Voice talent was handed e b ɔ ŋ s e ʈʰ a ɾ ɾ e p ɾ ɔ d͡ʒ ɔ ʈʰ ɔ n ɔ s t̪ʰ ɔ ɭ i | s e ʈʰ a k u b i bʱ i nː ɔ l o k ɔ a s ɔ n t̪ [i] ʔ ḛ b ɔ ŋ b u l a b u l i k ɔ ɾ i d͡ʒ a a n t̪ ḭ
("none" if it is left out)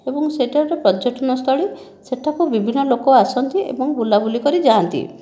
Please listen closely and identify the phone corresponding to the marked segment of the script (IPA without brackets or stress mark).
i